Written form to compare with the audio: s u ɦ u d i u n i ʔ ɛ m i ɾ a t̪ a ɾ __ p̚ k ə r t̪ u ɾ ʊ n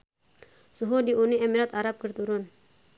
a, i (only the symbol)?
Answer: a